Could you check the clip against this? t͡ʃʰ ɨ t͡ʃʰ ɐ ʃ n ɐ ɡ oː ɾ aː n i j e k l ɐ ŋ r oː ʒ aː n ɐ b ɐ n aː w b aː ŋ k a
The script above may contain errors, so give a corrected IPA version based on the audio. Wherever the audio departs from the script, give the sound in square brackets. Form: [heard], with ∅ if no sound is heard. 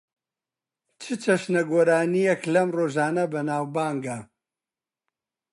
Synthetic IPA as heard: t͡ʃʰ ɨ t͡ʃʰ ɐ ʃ n ɐ ɡ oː ɾ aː n i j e k l ɐ [m] r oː ʒ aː n ɐ b ɐ n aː w b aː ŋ [ɡ] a